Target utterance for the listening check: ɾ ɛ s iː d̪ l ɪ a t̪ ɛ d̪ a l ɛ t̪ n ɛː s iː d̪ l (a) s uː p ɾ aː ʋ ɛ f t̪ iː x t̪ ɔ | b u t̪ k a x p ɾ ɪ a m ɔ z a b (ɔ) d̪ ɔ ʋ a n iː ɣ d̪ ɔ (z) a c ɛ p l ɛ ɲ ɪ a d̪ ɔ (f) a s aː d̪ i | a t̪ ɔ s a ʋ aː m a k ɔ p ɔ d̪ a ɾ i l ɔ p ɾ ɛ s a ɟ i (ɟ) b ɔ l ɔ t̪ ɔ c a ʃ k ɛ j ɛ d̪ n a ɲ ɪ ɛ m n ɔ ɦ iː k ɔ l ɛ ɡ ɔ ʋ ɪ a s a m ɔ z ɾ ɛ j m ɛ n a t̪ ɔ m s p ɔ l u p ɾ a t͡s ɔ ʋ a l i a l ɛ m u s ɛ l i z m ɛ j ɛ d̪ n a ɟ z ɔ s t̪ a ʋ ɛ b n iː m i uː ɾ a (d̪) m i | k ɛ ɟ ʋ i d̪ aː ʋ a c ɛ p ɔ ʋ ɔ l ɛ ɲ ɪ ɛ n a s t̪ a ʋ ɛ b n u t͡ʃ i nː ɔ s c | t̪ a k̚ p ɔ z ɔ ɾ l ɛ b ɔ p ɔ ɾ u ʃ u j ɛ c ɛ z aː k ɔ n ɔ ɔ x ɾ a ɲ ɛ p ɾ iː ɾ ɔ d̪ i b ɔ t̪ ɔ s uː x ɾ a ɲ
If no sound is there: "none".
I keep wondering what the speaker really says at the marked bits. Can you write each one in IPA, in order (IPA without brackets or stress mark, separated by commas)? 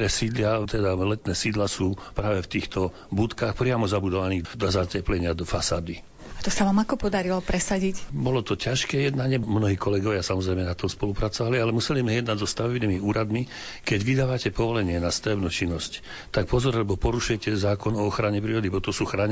a, u, z, f, c, d̪